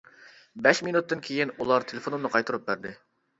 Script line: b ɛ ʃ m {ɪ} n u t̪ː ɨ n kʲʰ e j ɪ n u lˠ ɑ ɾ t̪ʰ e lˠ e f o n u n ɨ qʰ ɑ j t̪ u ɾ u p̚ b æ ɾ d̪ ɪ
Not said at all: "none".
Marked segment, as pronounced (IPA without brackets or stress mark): i